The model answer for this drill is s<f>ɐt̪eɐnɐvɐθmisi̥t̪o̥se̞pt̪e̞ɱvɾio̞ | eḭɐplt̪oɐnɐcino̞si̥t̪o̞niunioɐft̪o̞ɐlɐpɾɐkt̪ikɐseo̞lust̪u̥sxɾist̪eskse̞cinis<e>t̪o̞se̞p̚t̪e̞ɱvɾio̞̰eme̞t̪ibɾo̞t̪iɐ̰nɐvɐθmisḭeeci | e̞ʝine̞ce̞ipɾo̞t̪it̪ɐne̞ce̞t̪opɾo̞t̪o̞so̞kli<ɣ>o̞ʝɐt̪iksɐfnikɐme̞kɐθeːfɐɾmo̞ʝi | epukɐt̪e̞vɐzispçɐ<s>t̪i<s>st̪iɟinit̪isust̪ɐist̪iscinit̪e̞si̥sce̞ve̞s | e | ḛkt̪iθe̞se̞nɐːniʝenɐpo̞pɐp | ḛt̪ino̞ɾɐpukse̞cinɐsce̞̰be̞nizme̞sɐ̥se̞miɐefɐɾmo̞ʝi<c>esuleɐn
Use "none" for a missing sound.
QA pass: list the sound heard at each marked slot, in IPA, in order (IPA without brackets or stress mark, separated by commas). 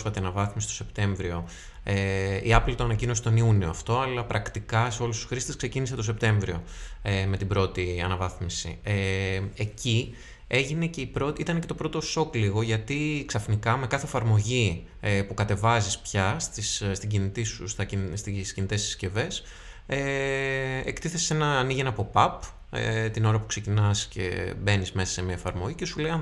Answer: f, e, ɣ, s, s, c